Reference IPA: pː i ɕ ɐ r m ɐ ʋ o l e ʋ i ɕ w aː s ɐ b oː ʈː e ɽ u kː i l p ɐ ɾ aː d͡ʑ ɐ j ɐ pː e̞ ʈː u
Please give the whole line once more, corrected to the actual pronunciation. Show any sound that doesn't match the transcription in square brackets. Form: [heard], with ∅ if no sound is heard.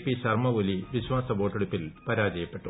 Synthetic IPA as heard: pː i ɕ ɐ r m ɐ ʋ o l [i] ʋ i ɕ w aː s ɐ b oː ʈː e ɽ u [pː] i l p ɐ ɾ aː d͡ʑ ɐ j ɐ pː e̞ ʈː u